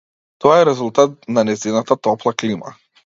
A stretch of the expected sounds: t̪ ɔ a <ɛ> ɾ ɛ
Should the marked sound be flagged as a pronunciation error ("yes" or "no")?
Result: no